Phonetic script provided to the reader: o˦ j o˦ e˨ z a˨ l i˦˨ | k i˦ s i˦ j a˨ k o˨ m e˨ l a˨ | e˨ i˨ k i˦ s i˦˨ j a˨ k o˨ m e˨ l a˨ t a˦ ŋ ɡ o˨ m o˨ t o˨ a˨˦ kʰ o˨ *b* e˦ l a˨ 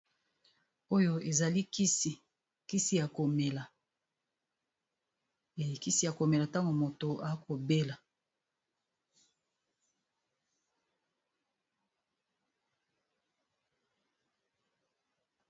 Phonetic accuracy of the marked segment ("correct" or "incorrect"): correct